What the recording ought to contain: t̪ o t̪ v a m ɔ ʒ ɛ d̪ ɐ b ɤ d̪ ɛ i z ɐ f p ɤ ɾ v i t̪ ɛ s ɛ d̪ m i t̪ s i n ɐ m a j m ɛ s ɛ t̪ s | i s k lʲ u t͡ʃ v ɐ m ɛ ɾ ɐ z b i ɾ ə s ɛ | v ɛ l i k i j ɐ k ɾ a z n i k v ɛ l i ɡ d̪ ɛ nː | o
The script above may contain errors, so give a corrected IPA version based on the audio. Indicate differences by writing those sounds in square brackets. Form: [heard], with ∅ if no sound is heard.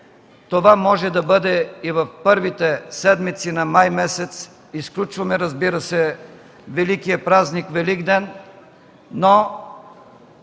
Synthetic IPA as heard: t̪ o [∅] v a m ɔ ʒ ɛ d̪ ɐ b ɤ d̪ ɛ i [v] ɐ f p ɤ ɾ v i t̪ ɛ s ɛ d̪ m i t̪ s i n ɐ m a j m ɛ s ɛ t̪ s | i s k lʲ u t͡ʃ v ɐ m ɛ ɾ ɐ z b i ɾ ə s ɛ | v ɛ l i k i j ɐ [p] ɾ a z n i k v ɛ l i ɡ d̪ ɛ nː | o